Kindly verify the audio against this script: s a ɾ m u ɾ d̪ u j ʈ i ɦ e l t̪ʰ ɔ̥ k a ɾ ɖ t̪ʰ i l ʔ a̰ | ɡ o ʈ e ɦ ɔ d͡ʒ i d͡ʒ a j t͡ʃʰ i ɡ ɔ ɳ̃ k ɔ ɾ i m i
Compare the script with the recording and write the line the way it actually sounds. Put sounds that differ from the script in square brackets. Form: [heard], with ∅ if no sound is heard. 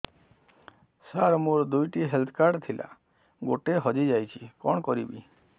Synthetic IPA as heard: s a ɾ m u ɾ d̪ u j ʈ i ɦ e l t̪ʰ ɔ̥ k a ɾ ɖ t̪ʰ i l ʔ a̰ | ɡ o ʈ e ɦ ɔ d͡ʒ i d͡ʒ a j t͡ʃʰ i [k] ɔ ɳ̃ k ɔ ɾ i [b] i

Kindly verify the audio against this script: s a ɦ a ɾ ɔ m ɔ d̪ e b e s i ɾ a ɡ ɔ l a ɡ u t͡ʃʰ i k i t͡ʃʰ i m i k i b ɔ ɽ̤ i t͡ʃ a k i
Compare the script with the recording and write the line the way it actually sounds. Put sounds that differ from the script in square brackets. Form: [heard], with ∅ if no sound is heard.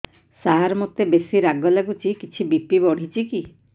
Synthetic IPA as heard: s a ɦ a ɾ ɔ m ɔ [t̪] e b e s i ɾ a ɡ ɔ l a ɡ u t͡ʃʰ i k i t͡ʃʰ i [b] i [p] i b ɔ ɽ̤ i t͡ʃ [i] k i

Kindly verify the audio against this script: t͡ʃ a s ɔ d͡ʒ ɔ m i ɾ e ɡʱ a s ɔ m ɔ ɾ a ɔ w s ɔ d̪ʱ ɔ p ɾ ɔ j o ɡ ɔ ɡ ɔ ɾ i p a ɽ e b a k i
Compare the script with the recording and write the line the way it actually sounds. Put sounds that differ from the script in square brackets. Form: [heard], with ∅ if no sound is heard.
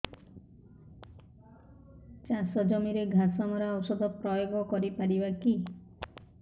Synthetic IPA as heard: t͡ʃ a s ɔ d͡ʒ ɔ m i ɾ e ɡʱ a s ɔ m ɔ ɾ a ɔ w s ɔ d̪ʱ ɔ p ɾ ɔ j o ɡ ɔ [k] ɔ ɾ i p a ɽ [i] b a k i

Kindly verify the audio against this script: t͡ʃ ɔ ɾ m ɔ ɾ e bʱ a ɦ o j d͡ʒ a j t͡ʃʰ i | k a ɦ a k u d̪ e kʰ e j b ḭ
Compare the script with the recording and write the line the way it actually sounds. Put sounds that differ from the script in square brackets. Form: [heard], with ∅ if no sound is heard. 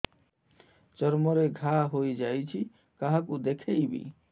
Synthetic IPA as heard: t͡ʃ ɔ ɾ m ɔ ɾ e [ɡʱ] a ɦ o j d͡ʒ a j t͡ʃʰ i | k a ɦ a k u d̪ e kʰ e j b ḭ

